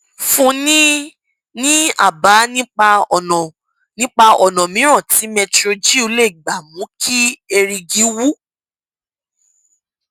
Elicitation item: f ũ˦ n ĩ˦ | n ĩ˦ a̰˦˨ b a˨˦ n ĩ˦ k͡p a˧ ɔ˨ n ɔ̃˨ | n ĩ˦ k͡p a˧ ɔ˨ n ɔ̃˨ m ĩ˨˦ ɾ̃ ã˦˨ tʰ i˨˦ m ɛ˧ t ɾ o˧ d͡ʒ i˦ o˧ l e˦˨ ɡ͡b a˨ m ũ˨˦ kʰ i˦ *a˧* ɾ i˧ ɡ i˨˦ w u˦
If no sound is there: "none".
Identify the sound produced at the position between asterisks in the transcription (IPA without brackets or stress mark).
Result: e˧